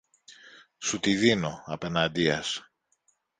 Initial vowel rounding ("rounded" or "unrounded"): rounded